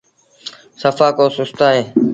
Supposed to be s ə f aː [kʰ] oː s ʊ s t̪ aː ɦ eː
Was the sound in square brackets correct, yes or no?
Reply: no